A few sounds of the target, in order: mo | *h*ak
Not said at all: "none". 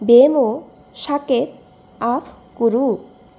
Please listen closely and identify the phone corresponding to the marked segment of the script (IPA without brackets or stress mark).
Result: ʃ